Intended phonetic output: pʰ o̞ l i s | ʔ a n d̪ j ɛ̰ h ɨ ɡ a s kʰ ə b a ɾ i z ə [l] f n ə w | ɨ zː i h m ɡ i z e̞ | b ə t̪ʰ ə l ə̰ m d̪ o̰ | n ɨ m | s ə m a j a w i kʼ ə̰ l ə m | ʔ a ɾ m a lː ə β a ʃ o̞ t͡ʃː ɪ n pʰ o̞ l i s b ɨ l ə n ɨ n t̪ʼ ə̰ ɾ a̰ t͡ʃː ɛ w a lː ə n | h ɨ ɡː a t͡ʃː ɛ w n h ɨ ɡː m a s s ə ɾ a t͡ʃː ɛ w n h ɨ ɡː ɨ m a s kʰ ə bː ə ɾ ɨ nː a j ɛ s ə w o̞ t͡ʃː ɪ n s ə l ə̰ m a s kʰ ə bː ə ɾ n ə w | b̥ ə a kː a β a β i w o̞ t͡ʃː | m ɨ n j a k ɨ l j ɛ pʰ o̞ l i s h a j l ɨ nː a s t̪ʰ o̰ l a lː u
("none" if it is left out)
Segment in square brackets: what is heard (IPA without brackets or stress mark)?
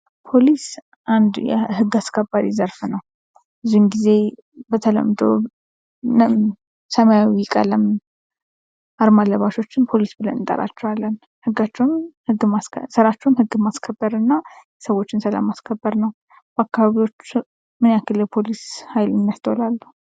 ɾ